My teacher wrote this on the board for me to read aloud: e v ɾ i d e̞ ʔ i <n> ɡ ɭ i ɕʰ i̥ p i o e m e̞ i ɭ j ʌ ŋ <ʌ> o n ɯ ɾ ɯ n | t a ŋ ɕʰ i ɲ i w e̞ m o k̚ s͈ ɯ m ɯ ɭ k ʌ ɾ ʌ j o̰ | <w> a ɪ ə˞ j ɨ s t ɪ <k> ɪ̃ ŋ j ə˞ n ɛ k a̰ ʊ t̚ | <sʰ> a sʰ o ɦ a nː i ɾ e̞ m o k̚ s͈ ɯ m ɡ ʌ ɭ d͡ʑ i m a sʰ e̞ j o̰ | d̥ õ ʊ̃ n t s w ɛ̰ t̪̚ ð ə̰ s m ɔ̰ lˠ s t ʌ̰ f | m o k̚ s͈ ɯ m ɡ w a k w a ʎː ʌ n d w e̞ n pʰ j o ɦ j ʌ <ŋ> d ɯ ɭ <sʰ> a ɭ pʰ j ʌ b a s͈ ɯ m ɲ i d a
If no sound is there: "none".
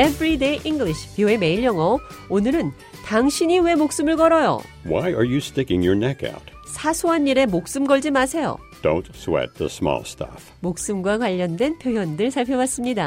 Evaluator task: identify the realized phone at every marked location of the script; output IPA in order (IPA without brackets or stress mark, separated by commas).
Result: ŋ, ʌ, w, k, sʰ, n, sʰ